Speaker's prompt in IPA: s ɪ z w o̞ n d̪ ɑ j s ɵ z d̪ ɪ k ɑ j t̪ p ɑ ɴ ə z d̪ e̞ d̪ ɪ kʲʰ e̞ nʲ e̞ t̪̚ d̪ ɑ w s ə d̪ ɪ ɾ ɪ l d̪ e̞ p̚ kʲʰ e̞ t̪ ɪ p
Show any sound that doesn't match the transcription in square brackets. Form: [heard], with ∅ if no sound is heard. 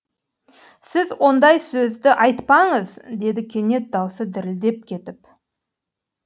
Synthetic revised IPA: s ɪ z w o̞ n d̪ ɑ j s ɵ z d̪ ɪ [ʔ] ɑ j t̪ p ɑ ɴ ə z d̪ e̞ d̪ ɪ kʲʰ e̞ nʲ e̞ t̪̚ d̪ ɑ w s ə d̪ ɪ ɾ ɪ l d̪ e̞ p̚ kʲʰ e̞ t̪ ɪ p